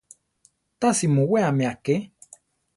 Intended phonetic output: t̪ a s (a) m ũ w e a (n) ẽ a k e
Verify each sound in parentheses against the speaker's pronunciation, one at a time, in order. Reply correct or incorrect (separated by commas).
incorrect, incorrect